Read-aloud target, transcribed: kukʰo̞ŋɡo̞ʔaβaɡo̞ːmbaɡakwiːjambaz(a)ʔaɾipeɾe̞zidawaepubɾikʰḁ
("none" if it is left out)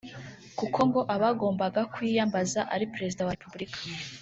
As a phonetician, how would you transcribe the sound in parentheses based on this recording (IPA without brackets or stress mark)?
a